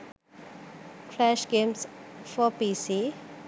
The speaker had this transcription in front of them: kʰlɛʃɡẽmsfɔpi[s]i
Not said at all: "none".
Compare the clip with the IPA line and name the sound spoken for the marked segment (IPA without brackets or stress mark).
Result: s